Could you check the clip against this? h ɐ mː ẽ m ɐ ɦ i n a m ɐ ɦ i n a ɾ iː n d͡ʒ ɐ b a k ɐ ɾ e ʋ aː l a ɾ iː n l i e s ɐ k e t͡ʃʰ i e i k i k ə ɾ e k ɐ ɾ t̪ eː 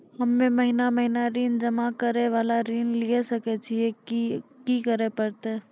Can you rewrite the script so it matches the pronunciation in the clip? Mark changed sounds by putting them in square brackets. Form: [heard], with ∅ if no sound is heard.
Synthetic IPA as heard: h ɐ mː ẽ m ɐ ɦ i n a m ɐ ɦ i n a ɾ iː n d͡ʒ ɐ [m] a k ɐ ɾ e ʋ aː l a ɾ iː n l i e s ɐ k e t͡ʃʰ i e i k i k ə ɾ e [p] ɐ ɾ t̪ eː